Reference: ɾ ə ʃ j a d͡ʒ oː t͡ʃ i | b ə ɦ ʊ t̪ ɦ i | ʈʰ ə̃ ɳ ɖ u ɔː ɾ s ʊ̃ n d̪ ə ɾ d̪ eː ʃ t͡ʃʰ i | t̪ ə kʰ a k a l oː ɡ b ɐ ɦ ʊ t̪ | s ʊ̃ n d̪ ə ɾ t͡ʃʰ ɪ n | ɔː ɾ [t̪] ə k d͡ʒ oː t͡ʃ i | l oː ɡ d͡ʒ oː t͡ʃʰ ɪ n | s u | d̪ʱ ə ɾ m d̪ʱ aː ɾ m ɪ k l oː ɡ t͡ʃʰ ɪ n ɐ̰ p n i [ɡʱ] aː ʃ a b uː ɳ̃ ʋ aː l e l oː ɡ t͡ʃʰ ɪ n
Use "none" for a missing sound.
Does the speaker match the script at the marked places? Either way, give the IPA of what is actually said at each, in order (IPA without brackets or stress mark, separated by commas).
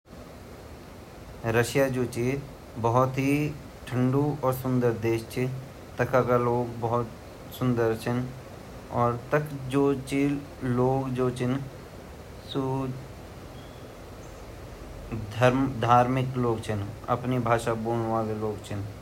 t̪, bʱ